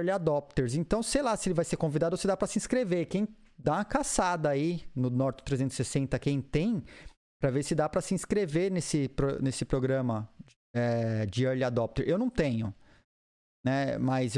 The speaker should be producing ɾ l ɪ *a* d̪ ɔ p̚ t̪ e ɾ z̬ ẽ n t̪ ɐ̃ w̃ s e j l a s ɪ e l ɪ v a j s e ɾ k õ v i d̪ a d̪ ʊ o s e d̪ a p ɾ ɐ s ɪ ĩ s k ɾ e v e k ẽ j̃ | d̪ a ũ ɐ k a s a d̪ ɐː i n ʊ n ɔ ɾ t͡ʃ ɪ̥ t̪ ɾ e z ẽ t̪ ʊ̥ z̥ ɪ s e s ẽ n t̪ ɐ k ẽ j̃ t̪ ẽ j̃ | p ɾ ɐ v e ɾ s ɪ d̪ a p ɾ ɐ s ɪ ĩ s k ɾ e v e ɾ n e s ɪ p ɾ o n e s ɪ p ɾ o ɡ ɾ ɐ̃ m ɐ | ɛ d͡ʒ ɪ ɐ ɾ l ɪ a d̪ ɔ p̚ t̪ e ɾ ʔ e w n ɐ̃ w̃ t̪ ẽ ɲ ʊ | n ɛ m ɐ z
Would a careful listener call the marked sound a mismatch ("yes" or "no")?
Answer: no